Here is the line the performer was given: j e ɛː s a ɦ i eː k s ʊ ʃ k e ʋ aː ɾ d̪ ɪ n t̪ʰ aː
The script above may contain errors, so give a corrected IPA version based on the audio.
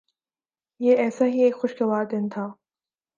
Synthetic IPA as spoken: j e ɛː s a ɦ i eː k x ʊ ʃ k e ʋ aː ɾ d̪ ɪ n t̪ʰ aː

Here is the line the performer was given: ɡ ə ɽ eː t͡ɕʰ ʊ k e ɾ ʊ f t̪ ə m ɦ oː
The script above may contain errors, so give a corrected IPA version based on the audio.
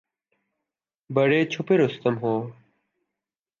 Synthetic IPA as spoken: b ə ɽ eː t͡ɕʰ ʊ p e ɾ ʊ s t̪ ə m ɦ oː

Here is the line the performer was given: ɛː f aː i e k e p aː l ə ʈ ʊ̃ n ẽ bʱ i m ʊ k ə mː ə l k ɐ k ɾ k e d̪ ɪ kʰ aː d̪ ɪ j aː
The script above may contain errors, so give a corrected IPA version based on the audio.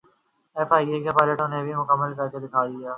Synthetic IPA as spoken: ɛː f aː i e k e p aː l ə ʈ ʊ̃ n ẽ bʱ i m ʊ k ə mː ə l k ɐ ɾ k e d̪ ɪ kʰ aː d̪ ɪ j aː

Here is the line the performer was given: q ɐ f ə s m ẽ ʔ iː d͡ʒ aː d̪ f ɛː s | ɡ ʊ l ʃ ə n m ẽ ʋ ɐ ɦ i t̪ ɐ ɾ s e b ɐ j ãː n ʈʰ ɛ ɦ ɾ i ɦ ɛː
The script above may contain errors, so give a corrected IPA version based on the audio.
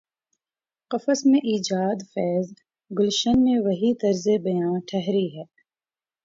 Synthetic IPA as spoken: q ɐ f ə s m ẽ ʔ iː d͡ʒ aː d̪ f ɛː z | ɡ ʊ l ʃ ə n m ẽ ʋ ɐ ɦ i t̪ ɐ ɾ z e b ɐ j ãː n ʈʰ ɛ ɦ ɾ i ɦ ɛː

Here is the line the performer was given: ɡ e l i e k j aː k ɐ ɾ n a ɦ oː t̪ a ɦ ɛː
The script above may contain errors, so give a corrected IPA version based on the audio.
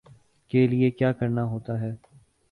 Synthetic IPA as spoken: k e l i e k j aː k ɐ ɾ n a ɦ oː t̪ a ɦ ɛː

